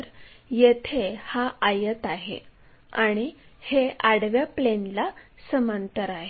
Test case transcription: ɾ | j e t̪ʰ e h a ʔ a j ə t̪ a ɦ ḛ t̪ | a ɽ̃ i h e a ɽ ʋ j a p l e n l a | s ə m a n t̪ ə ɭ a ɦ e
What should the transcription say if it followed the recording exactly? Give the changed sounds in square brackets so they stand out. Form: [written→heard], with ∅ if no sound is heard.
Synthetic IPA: ɾ | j e t̪ʰ e h a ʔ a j ə t̪ a ɦ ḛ [t̪→∅] | a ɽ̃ i h e a ɽ ʋ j a p l e n l a | s ə m a n t̪ ə [ɭ→ɾ] a ɦ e